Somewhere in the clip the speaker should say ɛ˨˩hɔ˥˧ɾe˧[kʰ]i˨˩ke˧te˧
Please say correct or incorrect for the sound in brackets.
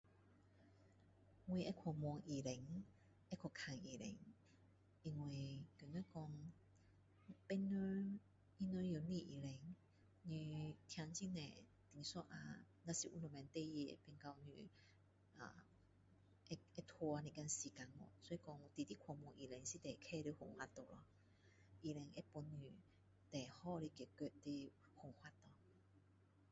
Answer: incorrect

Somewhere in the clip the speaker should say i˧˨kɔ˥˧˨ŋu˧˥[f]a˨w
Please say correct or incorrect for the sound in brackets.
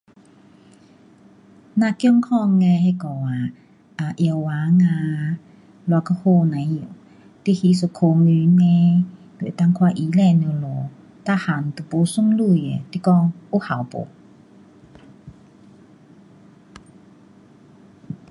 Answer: incorrect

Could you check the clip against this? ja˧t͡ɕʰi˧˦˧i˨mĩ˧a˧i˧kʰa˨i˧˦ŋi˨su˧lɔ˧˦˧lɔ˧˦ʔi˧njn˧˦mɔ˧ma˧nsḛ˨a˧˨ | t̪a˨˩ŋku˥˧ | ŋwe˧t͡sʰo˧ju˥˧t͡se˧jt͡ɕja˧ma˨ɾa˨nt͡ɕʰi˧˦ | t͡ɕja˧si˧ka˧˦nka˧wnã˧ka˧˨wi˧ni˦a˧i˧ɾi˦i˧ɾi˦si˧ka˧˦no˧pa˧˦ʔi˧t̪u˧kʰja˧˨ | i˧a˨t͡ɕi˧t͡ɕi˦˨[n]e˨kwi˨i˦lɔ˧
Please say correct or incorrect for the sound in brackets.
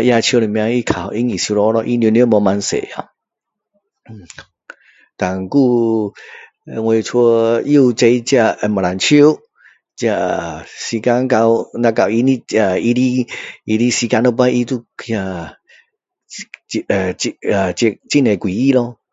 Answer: correct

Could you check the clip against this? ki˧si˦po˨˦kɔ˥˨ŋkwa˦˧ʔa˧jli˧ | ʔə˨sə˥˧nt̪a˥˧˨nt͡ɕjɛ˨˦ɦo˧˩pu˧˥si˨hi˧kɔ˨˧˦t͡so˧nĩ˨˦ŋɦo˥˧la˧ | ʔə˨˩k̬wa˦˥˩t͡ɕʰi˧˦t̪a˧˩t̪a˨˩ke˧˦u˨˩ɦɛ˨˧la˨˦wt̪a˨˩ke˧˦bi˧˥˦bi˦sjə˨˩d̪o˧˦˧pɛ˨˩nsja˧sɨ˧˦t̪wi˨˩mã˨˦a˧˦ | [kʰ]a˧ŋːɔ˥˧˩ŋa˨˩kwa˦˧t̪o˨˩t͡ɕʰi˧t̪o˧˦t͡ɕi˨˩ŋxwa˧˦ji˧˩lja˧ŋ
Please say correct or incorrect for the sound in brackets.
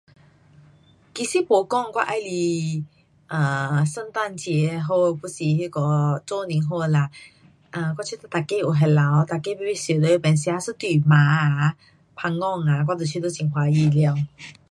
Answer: incorrect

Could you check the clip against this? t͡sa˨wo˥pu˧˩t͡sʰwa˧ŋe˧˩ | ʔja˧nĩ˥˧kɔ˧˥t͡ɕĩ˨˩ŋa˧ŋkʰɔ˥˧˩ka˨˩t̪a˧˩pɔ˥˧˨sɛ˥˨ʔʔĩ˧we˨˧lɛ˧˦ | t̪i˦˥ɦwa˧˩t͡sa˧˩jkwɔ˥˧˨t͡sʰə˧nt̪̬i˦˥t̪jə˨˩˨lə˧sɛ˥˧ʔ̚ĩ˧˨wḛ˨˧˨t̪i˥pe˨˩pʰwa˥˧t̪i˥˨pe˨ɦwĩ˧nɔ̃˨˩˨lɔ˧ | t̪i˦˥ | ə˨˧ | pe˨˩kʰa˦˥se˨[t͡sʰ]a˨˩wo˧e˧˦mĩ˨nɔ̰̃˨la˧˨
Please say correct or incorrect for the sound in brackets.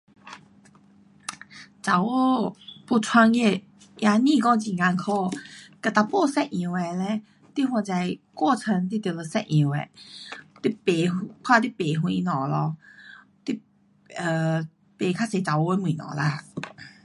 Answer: incorrect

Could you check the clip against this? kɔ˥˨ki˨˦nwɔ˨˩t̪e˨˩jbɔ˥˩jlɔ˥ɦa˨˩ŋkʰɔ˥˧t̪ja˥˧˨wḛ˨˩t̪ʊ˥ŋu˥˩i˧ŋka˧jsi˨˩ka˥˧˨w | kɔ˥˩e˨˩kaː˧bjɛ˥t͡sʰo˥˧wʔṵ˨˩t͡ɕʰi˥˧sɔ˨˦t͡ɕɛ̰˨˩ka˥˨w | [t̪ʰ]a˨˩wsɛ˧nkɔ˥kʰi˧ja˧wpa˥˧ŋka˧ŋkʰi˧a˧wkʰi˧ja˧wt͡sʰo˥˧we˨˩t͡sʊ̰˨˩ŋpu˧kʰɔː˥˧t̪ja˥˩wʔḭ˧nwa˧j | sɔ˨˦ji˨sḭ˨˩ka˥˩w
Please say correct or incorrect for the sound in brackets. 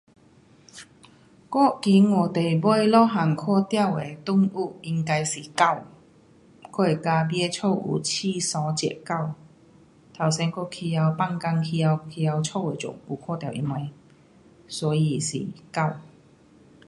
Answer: correct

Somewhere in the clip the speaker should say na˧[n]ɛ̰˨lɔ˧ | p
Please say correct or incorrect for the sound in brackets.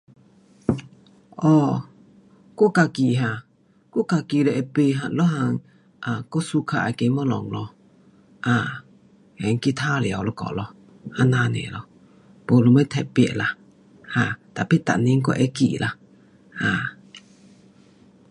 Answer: correct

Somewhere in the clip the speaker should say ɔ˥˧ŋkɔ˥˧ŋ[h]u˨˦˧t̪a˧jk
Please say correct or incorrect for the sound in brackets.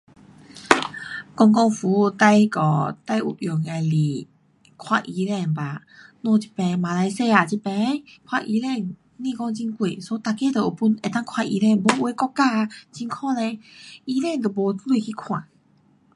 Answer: incorrect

